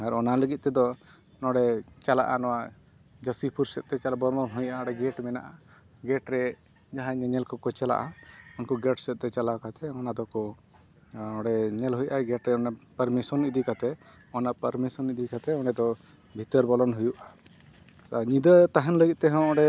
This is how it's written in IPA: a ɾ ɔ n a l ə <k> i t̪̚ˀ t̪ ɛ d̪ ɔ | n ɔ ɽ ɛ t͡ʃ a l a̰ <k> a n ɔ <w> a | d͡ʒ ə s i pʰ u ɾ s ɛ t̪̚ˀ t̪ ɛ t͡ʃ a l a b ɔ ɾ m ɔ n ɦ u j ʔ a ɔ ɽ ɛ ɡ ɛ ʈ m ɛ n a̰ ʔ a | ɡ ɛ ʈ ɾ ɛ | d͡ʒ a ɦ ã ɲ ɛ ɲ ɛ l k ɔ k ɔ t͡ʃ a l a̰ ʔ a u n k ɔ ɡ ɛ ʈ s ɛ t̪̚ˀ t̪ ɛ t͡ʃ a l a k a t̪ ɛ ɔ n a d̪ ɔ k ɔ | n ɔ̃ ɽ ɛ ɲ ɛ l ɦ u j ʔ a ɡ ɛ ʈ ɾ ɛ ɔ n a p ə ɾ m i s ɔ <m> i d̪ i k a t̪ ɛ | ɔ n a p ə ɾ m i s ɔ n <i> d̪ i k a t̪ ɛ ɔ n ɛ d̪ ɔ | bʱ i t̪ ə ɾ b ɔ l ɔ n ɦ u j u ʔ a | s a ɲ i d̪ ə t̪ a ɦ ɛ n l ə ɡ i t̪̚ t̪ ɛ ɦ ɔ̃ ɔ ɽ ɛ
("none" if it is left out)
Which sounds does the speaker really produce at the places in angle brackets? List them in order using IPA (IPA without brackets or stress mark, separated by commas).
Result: ɡ, ʔ, w, n, i